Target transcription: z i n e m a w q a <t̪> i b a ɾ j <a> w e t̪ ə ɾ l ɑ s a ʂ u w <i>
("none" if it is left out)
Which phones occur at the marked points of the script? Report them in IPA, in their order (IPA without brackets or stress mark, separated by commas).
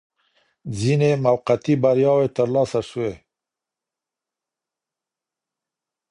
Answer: t̪, ɑ, e